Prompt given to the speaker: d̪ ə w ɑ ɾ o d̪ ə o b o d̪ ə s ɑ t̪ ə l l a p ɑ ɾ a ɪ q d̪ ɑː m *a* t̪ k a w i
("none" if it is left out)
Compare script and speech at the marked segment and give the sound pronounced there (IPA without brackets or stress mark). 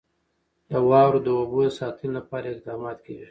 ɑ